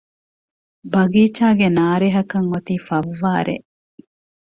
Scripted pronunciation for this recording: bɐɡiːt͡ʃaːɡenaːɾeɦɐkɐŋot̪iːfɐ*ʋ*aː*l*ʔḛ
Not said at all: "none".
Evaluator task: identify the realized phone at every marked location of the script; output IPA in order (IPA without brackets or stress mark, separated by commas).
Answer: ʋː, ɾ